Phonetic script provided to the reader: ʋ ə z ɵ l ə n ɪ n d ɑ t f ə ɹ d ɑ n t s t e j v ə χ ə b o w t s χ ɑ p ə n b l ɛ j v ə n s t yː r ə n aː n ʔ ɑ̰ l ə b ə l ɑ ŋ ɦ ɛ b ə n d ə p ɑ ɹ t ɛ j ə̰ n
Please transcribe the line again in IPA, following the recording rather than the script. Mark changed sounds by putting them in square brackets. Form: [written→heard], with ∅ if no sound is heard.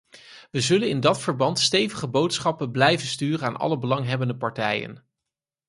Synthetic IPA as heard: ʋ ə z ɵ l ə n ɪ n d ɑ t f ə ɹ [d→b] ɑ n t s t e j v ə χ ə b o w t s χ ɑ p ə n b l ɛ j v ə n s t yː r ə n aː n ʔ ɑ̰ l ə b ə l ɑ ŋ ɦ ɛ b ə n d ə p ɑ ɹ t ɛ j ə̰ n